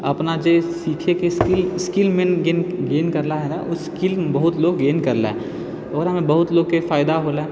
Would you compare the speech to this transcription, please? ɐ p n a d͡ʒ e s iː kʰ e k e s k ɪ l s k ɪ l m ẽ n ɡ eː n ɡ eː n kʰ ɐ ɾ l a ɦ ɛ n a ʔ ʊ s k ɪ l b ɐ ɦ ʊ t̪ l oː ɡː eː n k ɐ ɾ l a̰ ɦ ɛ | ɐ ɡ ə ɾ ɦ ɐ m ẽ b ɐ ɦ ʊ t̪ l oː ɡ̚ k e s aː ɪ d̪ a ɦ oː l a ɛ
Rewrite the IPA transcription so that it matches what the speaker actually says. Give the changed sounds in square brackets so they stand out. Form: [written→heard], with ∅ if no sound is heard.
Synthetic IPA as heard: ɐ p n a d͡ʒ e s iː kʰ e k e s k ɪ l s k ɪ l m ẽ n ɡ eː n ɡ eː n [kʰ→k] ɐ ɾ l a ɦ ɛ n a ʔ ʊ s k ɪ l b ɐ ɦ ʊ t̪ l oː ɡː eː n k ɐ ɾ l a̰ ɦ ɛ | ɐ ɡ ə ɾ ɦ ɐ m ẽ b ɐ ɦ ʊ t̪ l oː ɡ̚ k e [s→f] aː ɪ d̪ a ɦ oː l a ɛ